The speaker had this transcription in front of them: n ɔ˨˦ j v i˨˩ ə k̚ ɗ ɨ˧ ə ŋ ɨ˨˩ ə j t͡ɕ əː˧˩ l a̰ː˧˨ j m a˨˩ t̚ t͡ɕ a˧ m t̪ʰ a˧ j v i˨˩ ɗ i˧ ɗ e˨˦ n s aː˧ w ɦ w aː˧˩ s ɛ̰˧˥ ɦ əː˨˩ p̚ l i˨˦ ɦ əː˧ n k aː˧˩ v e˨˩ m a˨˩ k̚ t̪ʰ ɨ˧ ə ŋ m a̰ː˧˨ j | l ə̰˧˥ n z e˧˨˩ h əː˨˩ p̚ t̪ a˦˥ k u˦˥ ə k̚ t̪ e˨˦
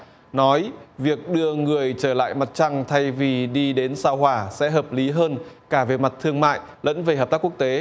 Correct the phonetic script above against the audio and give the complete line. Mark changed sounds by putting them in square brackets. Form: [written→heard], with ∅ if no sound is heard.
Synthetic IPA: n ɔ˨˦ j v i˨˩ ə k̚ ɗ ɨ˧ ə ŋ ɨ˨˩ ə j t͡ɕ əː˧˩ l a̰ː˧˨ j m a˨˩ t̚ t͡ɕ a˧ [m→ŋ] t̪ʰ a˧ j v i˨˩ ɗ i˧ ɗ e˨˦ n s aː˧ w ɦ w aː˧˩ s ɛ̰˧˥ ɦ əː˨˩ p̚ l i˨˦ ɦ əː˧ n k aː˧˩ v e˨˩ m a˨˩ [k̚→t̚] t̪ʰ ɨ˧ ə ŋ m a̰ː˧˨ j | l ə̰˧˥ n [z→v] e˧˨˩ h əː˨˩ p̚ t̪ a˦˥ k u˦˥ ə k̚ t̪ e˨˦